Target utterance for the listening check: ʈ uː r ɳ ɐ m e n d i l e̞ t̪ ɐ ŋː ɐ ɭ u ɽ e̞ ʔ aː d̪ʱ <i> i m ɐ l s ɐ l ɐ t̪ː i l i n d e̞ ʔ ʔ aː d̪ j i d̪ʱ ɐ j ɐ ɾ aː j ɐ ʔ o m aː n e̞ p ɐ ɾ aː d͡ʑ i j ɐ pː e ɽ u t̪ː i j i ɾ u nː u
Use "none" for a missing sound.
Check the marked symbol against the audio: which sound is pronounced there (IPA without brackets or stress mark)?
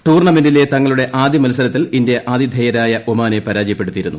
j